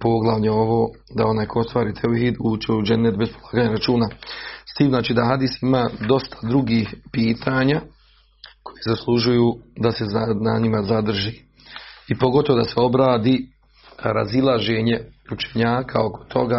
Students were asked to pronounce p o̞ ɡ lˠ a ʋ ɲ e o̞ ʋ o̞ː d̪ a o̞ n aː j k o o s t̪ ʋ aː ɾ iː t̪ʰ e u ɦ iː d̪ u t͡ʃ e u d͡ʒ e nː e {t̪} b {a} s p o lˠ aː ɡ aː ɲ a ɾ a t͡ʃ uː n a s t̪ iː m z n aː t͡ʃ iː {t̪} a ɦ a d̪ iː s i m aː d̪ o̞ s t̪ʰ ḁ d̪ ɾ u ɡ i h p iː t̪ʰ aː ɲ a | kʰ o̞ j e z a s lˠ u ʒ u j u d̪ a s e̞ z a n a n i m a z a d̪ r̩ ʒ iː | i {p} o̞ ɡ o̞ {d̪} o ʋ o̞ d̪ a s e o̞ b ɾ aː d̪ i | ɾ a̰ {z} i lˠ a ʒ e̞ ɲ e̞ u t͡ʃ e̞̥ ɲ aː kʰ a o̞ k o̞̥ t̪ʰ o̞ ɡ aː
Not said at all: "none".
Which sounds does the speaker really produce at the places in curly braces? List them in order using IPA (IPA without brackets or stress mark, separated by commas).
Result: t̪, e, d̪, p, t̪, z